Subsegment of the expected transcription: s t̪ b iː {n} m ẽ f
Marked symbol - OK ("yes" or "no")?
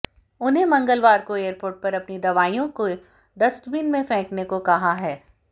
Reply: yes